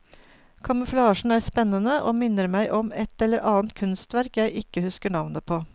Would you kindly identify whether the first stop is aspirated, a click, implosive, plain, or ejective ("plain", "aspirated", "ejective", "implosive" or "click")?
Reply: aspirated